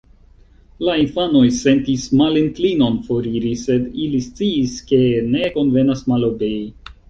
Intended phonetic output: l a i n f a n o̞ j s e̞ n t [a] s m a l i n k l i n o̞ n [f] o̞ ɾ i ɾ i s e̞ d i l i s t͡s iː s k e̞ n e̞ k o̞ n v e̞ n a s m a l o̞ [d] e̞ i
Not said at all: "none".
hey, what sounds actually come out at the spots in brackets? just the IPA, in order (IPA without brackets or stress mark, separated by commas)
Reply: i, f, b